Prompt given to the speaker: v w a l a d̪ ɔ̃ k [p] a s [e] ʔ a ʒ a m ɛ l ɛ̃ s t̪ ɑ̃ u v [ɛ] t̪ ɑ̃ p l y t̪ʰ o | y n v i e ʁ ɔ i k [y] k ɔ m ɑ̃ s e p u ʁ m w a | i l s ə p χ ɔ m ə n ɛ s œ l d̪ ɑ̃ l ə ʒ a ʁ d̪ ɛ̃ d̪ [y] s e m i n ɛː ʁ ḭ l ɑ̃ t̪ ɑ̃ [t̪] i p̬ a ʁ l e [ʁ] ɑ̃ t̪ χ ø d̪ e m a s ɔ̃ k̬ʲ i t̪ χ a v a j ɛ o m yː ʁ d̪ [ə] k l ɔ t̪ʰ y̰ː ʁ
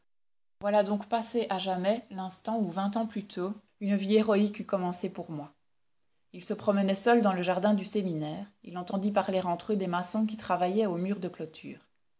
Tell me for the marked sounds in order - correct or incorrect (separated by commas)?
correct, correct, incorrect, correct, correct, incorrect, correct, correct